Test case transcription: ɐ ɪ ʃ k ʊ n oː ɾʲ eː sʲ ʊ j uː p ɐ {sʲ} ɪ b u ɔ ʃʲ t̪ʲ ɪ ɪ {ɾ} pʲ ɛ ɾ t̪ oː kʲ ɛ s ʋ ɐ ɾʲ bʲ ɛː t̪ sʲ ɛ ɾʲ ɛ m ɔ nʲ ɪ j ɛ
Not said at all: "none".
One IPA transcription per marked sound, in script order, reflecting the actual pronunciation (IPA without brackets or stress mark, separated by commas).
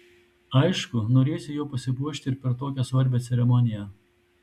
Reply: sʲ, ɾ